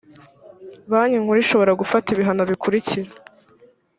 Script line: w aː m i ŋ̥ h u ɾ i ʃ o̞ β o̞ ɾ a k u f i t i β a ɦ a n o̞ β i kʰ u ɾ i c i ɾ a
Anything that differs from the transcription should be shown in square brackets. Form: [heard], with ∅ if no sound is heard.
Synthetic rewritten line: [β] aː [ɲ] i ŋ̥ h u ɾ i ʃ o̞ β o̞ ɾ a [ɡ] u f [a] t i β [i] ɦ a n o̞ β i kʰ u ɾ i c i ɾ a